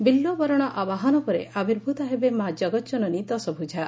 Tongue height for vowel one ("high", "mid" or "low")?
high